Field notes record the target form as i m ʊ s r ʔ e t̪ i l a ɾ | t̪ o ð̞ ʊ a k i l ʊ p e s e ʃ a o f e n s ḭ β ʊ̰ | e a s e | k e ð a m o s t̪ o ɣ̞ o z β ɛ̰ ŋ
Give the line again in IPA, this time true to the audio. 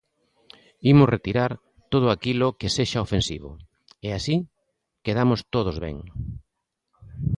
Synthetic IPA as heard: i m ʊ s r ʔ e t̪ i ɾ a ɾ | t̪ o ð̞ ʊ a k i l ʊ k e s e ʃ a o f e n s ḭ β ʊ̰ | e a s i | k e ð a m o s t̪ o ð̞ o z β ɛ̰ ŋ